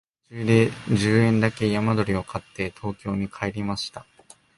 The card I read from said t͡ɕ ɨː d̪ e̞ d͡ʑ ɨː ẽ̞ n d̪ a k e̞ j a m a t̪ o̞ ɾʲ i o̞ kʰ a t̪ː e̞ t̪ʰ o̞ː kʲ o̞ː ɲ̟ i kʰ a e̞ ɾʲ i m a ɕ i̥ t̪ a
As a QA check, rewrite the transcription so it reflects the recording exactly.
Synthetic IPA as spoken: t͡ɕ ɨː d̪ e̞ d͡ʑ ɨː ẽ̞ n d̪ a k e̞ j a m a d̪ o̞ ɾʲ i o̞ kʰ a t̪ː e̞ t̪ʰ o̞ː kʲ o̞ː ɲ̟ i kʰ a e̞ ɾʲ i m a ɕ i̥ t̪ a